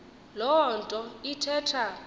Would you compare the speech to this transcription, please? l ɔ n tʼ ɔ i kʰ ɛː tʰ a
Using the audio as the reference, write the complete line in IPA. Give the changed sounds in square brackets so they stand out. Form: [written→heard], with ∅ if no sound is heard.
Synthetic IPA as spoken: l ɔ n tʼ ɔ i [kʰ→tʰ] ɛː tʰ a

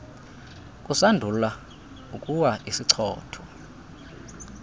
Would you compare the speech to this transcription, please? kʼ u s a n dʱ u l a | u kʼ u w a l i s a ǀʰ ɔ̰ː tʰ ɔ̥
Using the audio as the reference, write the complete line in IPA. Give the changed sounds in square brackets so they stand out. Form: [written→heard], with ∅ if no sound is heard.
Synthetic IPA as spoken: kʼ u s a n dʱ u l a | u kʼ u w a [l→∅] i s [a→i] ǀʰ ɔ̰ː tʰ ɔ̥

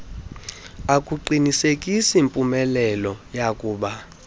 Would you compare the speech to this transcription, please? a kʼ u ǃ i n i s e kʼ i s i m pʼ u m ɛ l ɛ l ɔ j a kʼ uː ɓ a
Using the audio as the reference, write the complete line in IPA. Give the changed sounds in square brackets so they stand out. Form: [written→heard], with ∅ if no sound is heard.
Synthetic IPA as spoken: a kʼ u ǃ i n i s e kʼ i s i m pʼ u m ɛ l ɛ l ɔ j a kʼ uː ɓ a

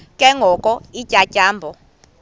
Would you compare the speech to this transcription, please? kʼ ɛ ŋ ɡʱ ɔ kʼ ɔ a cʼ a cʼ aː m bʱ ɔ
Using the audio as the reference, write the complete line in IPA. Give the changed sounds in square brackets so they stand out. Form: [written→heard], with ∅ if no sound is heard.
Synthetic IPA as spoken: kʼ ɛ ŋ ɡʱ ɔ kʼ ɔ [a→i] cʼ a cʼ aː m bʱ ɔ

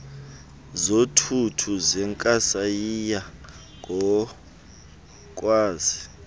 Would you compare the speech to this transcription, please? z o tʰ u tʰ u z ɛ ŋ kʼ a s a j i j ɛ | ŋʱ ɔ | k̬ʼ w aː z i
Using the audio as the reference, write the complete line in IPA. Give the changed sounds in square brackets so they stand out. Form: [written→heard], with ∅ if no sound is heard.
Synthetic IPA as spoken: z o tʰ u tʰ u z ɛ ŋ kʼ a s a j i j [ɛ→a] | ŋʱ ɔ | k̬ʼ w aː z i

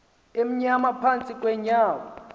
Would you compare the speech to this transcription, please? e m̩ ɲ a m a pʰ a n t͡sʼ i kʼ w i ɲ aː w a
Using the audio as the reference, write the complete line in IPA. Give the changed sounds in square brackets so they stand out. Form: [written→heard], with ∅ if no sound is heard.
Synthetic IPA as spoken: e m̩ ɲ a m a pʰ a n t͡sʼ i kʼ w [i→ɛ] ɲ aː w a

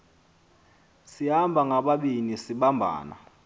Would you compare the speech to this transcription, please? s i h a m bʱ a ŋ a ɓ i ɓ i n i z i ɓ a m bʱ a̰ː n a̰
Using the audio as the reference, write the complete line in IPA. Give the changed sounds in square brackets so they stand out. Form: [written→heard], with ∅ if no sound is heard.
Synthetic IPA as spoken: s i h a m bʱ a ŋ a ɓ [i→a] ɓ i n i [z→s] i ɓ a m bʱ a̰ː n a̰

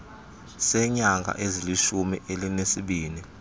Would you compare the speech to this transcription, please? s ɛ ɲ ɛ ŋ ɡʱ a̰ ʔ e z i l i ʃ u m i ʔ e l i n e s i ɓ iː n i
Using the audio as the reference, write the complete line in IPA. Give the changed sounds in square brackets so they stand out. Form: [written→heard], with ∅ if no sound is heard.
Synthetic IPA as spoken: s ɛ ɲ [ɛ→a] ŋ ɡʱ a̰ ʔ e z i l i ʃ u m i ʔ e l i n e s i ɓ iː n i

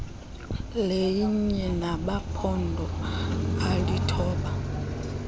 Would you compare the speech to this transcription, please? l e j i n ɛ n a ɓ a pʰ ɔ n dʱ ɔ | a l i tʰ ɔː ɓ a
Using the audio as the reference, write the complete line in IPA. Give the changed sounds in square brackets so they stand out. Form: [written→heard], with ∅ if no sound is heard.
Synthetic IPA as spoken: l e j i [n→ɲ] ɛ n a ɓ a pʰ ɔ n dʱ ɔ | a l i tʰ ɔː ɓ a

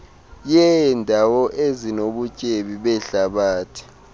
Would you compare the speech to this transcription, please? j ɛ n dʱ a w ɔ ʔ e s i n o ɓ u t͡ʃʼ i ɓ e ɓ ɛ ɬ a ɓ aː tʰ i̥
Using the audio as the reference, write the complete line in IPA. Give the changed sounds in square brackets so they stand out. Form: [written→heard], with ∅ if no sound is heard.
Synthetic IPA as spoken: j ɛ n dʱ a w ɔ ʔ e [s→z] i n o ɓ u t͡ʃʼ [i→e] ɓ [e→i] ɓ ɛ ɬ a ɓ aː tʰ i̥

